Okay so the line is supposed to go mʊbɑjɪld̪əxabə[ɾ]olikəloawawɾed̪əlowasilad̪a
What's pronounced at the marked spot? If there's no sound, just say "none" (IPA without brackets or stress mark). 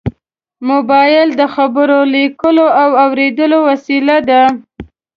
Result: ɾ